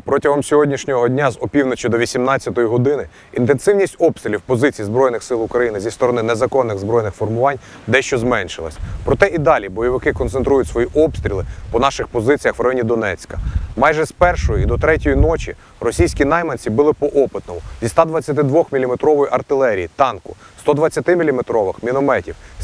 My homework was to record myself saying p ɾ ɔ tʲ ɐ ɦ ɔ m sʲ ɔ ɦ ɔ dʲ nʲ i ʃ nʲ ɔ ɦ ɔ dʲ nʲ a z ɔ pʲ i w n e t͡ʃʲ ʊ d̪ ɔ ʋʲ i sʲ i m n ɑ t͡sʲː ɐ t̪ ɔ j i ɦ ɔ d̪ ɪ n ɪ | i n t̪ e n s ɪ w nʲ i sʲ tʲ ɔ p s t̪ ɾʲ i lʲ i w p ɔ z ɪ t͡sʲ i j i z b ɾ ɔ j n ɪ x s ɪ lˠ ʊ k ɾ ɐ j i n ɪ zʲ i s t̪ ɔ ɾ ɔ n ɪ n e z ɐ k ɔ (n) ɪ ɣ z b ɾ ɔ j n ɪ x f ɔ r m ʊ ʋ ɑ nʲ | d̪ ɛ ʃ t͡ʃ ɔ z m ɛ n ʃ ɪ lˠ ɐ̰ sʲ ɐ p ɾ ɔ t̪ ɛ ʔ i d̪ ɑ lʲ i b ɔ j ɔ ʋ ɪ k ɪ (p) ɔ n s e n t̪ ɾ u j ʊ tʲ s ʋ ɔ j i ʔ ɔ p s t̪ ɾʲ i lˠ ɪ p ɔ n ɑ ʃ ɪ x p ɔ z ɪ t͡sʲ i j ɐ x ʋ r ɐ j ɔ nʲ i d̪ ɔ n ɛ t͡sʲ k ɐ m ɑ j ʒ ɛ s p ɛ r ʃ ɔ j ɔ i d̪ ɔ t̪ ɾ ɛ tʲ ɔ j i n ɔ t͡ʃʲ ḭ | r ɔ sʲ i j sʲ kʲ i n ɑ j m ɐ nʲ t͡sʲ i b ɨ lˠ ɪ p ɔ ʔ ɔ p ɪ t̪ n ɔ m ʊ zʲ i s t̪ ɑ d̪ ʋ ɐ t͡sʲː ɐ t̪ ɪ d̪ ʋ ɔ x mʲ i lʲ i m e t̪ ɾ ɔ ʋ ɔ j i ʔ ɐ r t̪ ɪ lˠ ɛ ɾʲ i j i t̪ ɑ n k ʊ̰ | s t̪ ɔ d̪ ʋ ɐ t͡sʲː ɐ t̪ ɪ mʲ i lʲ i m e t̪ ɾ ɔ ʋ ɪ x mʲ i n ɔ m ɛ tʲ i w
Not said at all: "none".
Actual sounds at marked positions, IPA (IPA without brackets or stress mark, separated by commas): nː, k